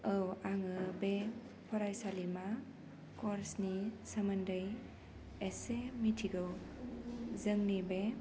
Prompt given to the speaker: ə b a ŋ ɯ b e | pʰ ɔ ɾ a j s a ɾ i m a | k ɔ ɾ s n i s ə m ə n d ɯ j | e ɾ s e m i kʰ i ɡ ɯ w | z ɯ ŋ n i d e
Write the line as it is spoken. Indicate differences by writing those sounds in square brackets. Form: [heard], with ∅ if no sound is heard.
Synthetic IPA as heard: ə [w] a ŋ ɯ b e | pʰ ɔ ɾ a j s a [l] i m a | k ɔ ɾ s n i s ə m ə n d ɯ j | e [∅] s e m i [tʰ] i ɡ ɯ w | z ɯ ŋ n i [b] e